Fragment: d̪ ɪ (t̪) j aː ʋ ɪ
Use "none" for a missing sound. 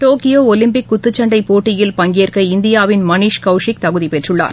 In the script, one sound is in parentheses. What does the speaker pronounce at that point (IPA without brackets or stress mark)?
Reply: none